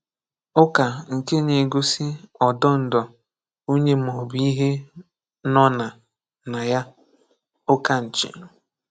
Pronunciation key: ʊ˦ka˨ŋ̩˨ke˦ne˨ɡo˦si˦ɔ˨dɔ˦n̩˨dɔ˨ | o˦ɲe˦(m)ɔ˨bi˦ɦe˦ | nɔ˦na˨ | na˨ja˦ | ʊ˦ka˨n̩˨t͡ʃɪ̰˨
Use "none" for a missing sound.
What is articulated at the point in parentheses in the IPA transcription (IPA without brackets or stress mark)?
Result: m